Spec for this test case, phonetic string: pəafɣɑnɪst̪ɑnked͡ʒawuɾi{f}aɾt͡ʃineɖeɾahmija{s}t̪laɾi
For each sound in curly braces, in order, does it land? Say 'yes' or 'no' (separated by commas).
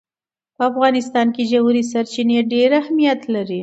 no, no